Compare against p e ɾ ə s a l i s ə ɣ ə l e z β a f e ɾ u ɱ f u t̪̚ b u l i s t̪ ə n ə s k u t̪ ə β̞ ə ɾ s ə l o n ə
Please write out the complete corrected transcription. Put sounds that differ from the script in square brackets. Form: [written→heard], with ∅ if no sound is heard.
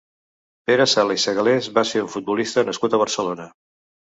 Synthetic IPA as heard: p e ɾ ə s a l i s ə ɣ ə l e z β a [f→s] e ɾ u ɱ f u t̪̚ b u l i s t̪ ə n ə s k u t̪ ə β̞ ə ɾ s ə l o n ə